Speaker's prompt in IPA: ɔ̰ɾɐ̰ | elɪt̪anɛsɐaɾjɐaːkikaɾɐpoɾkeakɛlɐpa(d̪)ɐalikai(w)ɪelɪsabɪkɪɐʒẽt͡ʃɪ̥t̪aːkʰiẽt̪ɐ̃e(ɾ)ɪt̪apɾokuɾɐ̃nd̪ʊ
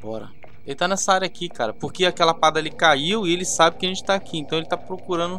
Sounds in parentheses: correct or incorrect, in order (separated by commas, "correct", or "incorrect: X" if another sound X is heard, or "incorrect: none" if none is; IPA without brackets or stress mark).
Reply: correct, correct, incorrect: l